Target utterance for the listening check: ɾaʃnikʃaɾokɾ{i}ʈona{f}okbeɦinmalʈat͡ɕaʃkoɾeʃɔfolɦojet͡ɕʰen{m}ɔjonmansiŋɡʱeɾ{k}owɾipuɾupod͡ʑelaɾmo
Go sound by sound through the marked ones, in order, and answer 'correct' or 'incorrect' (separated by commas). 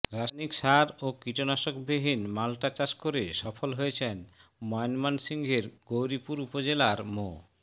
correct, incorrect, correct, incorrect